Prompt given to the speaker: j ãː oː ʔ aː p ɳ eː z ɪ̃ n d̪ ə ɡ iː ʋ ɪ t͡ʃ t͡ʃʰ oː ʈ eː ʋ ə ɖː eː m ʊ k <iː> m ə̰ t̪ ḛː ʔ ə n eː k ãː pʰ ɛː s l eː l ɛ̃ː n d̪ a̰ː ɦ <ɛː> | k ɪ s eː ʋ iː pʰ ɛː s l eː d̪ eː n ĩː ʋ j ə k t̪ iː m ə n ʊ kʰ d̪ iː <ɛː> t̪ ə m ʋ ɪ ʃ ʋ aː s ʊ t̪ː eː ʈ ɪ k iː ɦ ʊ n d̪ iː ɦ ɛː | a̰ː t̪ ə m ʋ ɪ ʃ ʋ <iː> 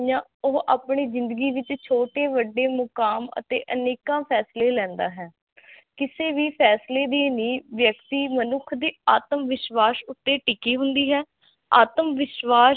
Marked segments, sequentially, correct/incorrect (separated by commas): incorrect, correct, incorrect, incorrect